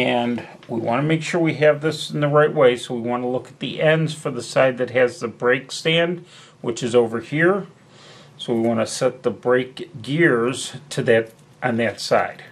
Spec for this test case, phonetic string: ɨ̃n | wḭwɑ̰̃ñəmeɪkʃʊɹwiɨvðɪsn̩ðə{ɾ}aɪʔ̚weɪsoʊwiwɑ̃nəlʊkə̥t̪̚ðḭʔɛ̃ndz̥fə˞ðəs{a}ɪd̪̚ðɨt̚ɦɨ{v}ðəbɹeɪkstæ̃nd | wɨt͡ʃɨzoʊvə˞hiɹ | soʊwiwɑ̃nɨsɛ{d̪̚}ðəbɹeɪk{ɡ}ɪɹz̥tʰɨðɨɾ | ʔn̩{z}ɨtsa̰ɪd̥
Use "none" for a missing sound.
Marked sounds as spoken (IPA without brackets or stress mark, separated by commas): ɹ, a, z, t̪̚, ɡ, ð